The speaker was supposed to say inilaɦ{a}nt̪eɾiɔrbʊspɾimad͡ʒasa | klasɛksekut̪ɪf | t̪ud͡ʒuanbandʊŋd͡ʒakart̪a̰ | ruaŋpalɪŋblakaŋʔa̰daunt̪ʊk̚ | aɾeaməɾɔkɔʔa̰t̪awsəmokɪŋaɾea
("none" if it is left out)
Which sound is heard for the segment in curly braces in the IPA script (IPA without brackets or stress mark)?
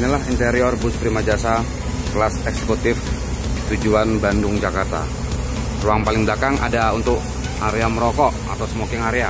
i